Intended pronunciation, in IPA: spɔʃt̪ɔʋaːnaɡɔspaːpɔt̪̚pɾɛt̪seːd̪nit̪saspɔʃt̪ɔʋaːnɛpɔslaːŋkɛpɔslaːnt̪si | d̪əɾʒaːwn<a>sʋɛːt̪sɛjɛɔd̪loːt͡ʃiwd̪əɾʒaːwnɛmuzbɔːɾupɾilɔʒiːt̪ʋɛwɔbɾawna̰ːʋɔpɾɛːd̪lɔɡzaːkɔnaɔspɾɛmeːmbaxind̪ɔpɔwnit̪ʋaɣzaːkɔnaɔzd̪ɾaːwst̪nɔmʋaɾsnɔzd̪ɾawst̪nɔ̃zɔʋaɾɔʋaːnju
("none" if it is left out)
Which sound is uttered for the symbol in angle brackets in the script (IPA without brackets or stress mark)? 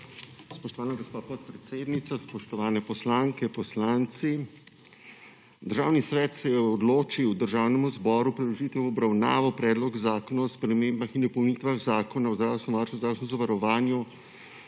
i